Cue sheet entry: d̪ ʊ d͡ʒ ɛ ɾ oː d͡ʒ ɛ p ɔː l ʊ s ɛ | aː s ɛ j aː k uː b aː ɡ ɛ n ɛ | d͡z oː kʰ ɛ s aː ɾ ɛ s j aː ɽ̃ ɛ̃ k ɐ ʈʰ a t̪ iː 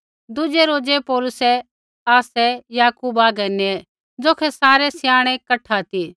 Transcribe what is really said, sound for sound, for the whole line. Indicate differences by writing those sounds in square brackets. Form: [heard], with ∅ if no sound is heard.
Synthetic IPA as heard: d̪ ʊ d͡ʒ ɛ ɾ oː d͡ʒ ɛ p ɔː l ʊ s ɛ | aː s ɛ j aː k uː b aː ɡ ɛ n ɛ | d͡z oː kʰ ɛ s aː ɾ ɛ s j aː ɽ̃ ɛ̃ k ɐ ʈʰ a t̪ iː